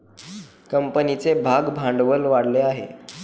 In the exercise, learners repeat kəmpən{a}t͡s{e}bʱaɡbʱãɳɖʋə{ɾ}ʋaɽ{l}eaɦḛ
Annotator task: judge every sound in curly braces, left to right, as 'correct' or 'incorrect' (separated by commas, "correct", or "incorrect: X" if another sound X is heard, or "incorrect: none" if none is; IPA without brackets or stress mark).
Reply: incorrect: i, correct, incorrect: l, correct